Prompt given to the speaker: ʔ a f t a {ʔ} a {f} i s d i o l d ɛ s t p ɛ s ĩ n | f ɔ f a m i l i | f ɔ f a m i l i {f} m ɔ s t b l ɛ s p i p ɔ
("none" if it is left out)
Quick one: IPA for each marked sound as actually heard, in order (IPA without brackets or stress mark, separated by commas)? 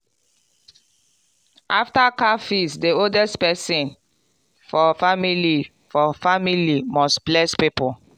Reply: k, f, none